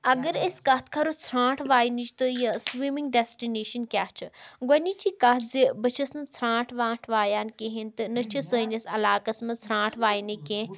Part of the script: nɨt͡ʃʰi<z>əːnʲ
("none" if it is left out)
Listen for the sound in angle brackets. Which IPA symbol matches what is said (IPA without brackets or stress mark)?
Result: s